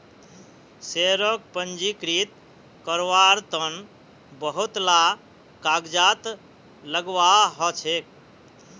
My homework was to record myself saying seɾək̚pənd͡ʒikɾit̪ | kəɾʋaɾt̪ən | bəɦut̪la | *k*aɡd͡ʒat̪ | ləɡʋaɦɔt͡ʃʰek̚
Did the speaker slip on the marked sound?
no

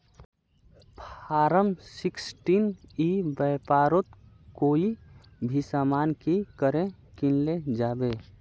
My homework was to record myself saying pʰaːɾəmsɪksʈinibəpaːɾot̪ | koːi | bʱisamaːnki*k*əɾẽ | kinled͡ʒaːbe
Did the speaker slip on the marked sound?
no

